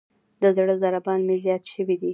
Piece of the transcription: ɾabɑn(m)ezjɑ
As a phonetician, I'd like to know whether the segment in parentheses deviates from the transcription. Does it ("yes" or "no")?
no